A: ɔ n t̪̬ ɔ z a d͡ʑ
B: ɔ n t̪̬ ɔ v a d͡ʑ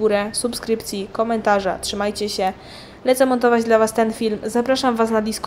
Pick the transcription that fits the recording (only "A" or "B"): B